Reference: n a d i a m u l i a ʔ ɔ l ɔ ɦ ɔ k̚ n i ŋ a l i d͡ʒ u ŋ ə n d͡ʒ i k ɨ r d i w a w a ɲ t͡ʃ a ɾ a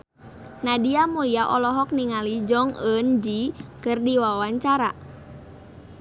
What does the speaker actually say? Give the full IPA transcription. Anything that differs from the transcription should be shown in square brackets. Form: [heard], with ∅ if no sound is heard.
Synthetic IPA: n a d i a m u l i a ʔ ɔ l ɔ ɦ ɔ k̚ n i ŋ a l i d͡ʒ [ɔ] ŋ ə n d͡ʒ i k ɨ r d i w a w a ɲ t͡ʃ a ɾ a

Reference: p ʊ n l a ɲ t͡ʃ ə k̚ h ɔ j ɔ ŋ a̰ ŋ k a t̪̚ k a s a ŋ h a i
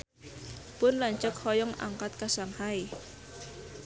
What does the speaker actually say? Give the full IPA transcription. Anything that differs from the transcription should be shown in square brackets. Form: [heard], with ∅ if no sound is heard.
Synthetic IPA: p ʊ n l a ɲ t͡ʃ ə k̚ h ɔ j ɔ ŋ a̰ ŋ k a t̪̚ k a s a ŋ h a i

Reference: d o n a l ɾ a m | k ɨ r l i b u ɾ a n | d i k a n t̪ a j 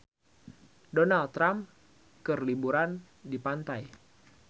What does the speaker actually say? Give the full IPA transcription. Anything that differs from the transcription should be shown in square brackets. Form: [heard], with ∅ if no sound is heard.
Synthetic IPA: d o n a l ɾ a m | k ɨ r l i b u ɾ a n | d i [p] a n t̪ a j

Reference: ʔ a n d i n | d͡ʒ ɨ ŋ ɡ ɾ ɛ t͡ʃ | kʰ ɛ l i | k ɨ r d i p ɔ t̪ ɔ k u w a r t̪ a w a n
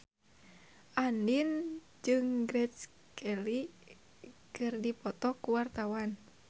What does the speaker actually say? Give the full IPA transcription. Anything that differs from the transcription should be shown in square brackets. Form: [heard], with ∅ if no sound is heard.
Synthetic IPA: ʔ a n d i n | d͡ʒ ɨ ŋ ɡ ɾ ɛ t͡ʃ | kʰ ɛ l i | k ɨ r d i p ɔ t̪ ɔ k u w a r t̪ a w a n

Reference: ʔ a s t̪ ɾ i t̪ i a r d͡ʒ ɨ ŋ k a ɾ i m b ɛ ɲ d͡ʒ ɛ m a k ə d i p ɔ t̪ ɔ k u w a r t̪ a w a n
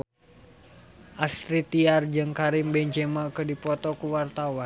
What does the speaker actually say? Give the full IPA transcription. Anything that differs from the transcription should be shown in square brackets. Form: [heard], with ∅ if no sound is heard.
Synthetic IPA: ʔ a s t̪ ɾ i t̪ i a r d͡ʒ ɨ ŋ k a ɾ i m b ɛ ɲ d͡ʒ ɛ m a k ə d i p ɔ t̪ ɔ k u w a r t̪ a w a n

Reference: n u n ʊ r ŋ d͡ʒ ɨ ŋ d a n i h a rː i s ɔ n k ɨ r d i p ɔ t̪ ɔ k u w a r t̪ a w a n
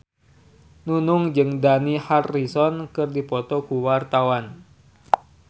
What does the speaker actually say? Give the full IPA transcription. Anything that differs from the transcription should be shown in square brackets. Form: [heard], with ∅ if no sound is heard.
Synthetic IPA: n u n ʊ [∅] ŋ d͡ʒ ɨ ŋ d a n i h a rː i s ɔ n k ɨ r d i p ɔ t̪ ɔ k u w a r t̪ a w a n

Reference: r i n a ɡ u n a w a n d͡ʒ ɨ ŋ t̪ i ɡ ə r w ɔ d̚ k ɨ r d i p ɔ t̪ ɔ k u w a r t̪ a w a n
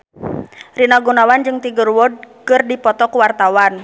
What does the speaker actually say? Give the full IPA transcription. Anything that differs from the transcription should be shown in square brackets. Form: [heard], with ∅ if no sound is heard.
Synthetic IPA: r i n a ɡ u n a w a n d͡ʒ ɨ ŋ t̪ i ɡ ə r w ɔ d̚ k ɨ r d i p ɔ t̪ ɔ k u w a r t̪ a w a n

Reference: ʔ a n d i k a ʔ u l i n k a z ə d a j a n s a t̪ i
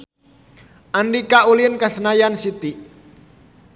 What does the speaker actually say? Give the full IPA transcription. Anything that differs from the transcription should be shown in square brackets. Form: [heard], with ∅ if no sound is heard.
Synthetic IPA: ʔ a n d i k a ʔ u l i n k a [s] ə [n] a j a n s [i] t̪ i

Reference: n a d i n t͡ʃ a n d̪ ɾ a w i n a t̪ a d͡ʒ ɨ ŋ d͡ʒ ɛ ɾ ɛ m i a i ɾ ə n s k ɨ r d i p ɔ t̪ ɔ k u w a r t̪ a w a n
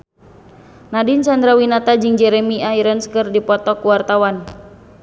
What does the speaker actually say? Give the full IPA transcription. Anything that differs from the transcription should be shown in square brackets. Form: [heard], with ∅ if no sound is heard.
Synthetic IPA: n a d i n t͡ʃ a n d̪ ɾ a w i n a t̪ a d͡ʒ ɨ ŋ d͡ʒ ɛ ɾ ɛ m i a i ɾ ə n s k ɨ r d i p ɔ t̪ ɔ k u w a r t̪ a w a n

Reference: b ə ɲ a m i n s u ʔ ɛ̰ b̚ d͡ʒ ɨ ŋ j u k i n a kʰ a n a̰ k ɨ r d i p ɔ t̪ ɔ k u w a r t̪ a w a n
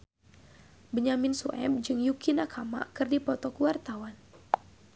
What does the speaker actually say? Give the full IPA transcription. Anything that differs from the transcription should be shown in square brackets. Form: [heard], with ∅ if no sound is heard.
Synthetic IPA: b ə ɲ a m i n s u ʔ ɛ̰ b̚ d͡ʒ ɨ ŋ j u k i n a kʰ a [m] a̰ k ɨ r d i p ɔ t̪ ɔ k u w a r t̪ a w a n

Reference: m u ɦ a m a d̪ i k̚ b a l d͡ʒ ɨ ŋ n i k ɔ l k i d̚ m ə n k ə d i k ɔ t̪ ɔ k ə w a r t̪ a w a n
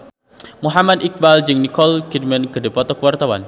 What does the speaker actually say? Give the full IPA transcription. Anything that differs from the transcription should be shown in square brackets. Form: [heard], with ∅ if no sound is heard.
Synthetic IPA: m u ɦ a m a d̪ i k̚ b a l d͡ʒ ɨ ŋ n i k ɔ l k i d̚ m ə n k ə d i [p] ɔ t̪ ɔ k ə w a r t̪ a w a n

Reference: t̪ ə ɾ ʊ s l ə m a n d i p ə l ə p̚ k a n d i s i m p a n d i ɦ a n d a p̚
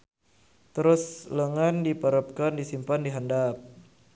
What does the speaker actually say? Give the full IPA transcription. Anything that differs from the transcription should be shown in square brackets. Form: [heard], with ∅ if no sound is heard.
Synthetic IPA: t̪ ə ɾ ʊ s l ə [ŋ] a n d i p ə [ɾ] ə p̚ k a n d i s i m p a n d i ɦ a n d a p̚

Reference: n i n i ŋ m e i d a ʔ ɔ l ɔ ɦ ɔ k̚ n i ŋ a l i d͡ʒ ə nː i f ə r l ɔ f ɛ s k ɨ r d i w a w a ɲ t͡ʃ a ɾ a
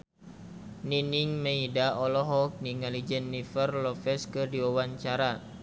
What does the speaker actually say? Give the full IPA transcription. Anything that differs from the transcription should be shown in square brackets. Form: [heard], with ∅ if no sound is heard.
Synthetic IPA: n i n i ŋ m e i d a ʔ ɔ l ɔ ɦ ɔ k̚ n i ŋ a l i d͡ʒ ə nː i f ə r l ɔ f ɛ s k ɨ r d i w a w a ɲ t͡ʃ a ɾ a

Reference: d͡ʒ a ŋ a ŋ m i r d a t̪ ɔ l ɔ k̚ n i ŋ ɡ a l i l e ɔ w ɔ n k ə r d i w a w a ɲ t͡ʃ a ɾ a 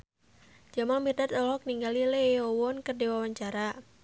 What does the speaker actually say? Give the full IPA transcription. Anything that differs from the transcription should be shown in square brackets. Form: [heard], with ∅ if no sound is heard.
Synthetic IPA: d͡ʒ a [m] a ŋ m i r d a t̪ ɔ l ɔ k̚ n i ŋ ɡ a l i l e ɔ w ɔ n k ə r d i w a w a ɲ t͡ʃ a ɾ a

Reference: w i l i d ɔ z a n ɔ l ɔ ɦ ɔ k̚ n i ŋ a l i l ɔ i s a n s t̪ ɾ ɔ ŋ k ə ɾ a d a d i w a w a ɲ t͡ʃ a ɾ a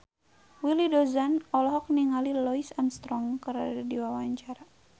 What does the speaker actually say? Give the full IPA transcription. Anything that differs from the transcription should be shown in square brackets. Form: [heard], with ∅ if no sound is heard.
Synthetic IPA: w i l i d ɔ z a n ɔ l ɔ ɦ ɔ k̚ n i ŋ a l i l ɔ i s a n s t̪ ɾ ɔ ŋ k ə ɾ a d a d i w a w a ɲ t͡ʃ a ɾ a

